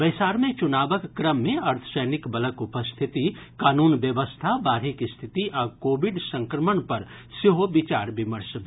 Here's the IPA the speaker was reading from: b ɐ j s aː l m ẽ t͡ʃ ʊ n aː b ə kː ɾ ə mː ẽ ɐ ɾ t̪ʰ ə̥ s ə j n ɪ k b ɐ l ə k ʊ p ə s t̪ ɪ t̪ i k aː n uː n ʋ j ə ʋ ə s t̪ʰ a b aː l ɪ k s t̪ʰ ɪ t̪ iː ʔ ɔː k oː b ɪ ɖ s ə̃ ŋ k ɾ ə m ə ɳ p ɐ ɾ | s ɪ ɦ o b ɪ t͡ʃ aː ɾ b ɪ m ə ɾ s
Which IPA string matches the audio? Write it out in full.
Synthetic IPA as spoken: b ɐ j s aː ɾ m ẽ t͡ʃ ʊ n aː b ə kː ɾ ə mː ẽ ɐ ɾ t̪ʰ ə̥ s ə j n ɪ k b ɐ l ə k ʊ p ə s t̪ʰ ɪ t̪ i k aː n uː n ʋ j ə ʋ ə s t̪ʰ a b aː ɾ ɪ k s t̪ʰ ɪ t̪ i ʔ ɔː k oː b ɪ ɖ s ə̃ ŋ k ɾ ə m ə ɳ p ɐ ɾ | s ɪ ɦ o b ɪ t͡ʃ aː ɾ b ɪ m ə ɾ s

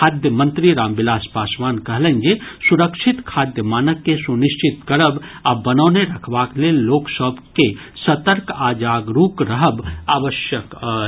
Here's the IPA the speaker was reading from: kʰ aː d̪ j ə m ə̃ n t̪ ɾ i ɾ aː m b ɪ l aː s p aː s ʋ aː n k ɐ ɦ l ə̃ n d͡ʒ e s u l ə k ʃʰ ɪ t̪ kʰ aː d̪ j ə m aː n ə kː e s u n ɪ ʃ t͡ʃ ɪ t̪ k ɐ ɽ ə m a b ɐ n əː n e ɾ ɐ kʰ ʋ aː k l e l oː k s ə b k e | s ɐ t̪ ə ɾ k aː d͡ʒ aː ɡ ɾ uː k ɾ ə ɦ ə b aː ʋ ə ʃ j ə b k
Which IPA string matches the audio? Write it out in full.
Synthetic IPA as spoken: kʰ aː d̪ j ə m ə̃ n t̪ ɾ i ɾ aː m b ɪ l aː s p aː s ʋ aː n k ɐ ɦ l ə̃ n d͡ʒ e s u ɾ ə k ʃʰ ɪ t̪ kʰ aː d̪ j ə m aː n ə kː e s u n ɪ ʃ t͡ʃ ɪ t̪ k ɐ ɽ ə b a b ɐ n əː n e ɾ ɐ kʰ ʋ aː k l e l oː k s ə b k e | s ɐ t̪ ə ɾ k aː d͡ʒ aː ɡ ɾ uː k ɾ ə ɦ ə b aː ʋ ə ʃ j ə k

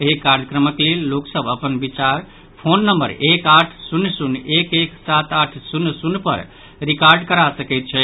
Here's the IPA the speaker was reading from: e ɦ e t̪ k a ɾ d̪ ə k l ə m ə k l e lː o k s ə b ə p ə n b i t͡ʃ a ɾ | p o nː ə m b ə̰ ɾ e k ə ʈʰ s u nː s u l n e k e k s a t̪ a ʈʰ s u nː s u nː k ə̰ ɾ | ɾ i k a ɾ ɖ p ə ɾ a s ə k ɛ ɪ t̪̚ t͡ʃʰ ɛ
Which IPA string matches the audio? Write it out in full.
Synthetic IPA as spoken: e ɦ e k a ɾ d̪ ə k ɾ ə m ə k l e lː o k s ə b ə p ə n b i t͡ʃ a ɾ | pʰ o nː ə m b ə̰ ɾ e k a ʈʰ s u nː s u n e k e k s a t̪ a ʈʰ s u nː s u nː p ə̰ ɾ | ɾ i k a ɾ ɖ k ə ɾ a s ə k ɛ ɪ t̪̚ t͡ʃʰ ɛ

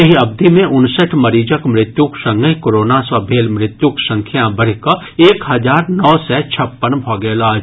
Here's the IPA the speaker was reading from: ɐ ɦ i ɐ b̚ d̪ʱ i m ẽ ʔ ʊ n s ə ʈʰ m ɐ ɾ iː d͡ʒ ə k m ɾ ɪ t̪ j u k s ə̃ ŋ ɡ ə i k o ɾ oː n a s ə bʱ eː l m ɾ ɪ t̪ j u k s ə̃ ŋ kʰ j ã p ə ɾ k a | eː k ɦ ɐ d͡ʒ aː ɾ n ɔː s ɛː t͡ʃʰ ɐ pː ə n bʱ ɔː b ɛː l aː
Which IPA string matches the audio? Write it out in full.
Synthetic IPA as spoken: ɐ ɦ i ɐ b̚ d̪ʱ i m ẽ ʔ ʊ n s ə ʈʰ m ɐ ɾ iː d͡ʒ ə k m ɾ ɪ t̪ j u k s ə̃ ŋ ɡ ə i k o ɾ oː n a s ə bʱ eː l m ɾ ɪ t̪ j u k s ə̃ ŋ kʰ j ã b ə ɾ k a | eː k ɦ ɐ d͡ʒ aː ɾ n ɔː s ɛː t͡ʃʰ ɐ pː ə n bʱ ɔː ɡ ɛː l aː

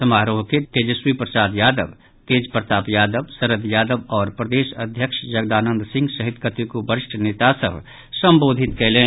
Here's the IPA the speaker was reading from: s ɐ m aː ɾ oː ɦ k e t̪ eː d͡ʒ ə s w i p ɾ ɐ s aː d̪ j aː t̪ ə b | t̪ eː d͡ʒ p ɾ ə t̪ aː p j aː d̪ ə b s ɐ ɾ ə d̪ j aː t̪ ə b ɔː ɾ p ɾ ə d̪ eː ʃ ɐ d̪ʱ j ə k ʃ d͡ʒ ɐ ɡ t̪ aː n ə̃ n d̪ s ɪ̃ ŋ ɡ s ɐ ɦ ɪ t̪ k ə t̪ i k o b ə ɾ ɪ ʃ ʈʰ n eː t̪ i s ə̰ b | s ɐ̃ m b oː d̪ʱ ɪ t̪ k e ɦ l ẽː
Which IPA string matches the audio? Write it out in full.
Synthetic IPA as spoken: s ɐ m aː ɾ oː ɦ k e t̪ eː d͡ʒ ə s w i p ɾ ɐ s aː d̪ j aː d̪ ə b | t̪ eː d͡ʒ p ɾ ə t̪ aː p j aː d̪ ə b s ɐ ɾ ə d̪ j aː d̪ ə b ɔː ɾ p ɾ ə d̪ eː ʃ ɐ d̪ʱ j ə k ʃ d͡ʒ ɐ ɡ d̪ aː n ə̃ n d̪ s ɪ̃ ŋ ɡ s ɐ ɦ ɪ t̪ k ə t̪ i k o b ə ɾ ɪ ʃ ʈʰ n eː t̪ a s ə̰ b | s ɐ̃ m b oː d̪ʱ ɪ t̪ k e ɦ l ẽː

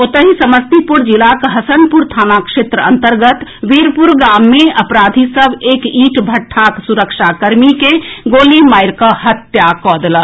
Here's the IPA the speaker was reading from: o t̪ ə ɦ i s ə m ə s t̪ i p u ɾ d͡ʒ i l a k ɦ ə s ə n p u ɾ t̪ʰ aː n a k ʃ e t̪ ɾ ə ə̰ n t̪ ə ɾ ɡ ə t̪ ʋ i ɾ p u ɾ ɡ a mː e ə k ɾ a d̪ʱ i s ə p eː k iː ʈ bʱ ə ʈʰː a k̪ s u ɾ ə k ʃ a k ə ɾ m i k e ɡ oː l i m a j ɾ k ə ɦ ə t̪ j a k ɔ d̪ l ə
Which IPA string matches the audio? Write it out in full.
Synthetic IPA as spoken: o t̪ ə ɦ i s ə m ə s t̪ i p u ɾ d͡ʒ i l a k ɦ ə s ə n p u ɾ t̪ʰ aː n a k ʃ e t̪ ɾ ə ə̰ n t̪ ə ɾ ɡ ə t̪ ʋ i ɾ p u ɾ ɡ a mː e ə p ɾ a d̪ʱ i s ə b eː k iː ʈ bʱ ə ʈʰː a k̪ s u ɾ ə k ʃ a k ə ɾ m i k e ɡ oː l i m a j ɾ k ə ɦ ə t̪ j a k ɔ d̪ l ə

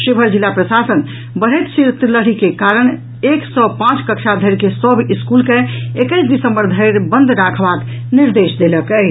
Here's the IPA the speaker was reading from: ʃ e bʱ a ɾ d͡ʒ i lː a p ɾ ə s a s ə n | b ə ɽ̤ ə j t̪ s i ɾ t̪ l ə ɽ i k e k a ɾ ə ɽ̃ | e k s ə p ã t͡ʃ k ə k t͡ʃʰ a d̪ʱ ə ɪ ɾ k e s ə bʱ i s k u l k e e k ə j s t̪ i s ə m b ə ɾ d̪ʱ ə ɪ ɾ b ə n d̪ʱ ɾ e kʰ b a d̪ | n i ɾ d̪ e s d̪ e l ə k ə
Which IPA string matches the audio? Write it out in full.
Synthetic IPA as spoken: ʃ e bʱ ə ɾ d͡ʒ i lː a p ɾ ə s a s ə n | b ə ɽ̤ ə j t̪ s i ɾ t̪ l ə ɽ i k e k a ɾ ə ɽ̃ | e k s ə p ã t͡ʃ k ə k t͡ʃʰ a d̪ʱ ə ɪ ɾ k e s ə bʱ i s k u l k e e k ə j s d̪ i s ə m b ə ɾ d̪ʱ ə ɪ ɾ b ə n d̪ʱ ɾ a kʰ b a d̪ | n i ɾ d̪ e s d̪ e l ə k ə

